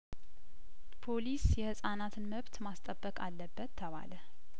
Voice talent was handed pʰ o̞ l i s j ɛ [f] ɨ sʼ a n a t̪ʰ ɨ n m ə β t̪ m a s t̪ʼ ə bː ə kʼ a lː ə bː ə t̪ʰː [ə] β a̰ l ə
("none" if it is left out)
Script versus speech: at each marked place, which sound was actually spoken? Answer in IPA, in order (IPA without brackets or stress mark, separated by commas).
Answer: h, ə